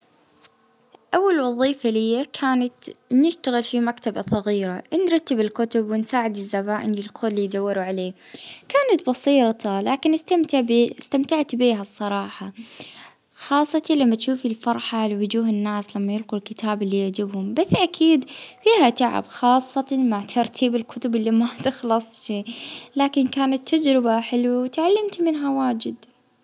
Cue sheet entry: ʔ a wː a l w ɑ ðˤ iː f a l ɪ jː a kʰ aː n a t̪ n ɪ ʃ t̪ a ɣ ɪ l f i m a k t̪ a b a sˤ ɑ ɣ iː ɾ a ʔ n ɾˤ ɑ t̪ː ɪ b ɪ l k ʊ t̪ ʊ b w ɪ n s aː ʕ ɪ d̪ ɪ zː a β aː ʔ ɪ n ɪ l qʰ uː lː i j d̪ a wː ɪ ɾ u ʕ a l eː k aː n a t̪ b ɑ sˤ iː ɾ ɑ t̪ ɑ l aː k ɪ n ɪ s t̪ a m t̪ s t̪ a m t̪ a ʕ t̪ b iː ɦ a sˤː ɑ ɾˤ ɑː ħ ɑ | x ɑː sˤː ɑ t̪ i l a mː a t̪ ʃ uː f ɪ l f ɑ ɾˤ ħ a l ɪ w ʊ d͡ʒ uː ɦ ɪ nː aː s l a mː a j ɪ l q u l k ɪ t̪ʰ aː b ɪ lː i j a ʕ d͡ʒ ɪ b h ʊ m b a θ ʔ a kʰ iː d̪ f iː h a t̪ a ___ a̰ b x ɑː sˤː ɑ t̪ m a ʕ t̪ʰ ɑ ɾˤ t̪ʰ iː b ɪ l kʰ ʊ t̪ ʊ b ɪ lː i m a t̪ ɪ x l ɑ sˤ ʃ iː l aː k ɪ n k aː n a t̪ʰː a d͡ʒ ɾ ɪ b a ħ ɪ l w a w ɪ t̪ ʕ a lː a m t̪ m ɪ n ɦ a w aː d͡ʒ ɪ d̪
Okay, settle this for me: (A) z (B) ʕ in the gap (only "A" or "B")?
B